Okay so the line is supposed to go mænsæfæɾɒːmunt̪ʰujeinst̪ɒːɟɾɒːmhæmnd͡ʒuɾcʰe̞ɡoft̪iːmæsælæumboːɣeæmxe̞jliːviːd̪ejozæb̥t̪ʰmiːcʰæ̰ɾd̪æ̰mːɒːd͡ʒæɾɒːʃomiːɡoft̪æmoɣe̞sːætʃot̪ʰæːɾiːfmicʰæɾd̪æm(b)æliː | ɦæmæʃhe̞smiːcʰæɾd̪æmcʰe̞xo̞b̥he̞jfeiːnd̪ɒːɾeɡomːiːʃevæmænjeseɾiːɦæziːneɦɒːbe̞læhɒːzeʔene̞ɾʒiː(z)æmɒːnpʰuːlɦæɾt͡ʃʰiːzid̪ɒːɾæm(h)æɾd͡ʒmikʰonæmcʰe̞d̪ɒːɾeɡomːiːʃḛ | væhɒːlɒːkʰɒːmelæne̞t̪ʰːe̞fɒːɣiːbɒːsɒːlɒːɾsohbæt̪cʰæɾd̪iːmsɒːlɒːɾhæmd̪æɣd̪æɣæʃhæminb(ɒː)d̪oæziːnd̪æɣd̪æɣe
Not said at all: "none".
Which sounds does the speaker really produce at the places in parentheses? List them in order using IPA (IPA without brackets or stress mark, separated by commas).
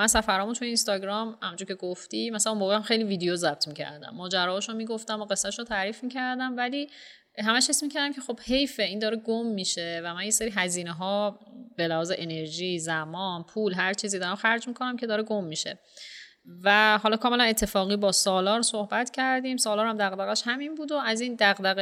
v, z, x, uː